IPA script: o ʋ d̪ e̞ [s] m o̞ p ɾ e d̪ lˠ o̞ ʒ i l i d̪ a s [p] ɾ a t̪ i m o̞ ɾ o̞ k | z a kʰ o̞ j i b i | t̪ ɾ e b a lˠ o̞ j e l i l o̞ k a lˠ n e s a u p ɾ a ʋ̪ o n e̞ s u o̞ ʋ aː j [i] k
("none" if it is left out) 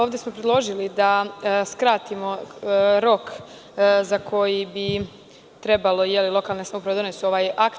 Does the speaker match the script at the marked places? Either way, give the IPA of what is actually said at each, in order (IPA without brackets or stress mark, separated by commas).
s, k, a